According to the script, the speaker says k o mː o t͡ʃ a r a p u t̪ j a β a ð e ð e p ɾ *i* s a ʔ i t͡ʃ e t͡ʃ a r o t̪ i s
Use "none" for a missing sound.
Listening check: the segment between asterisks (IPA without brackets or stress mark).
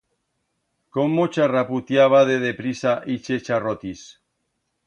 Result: i